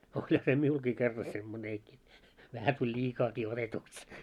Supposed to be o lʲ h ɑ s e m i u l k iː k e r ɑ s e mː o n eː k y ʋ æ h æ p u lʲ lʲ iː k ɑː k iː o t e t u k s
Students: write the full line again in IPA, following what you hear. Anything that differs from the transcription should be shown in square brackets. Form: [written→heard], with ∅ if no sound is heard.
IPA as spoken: o lʲ h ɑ s e m i u l k iː k e [r→rː] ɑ s e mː o n eː k [y→i] ʋ æ h æ [p→t] u lʲ lʲ iː k ɑː k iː o t e t u k s